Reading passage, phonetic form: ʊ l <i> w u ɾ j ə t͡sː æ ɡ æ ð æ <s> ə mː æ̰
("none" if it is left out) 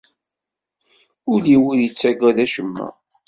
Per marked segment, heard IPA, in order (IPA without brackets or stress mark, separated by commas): i, ʃ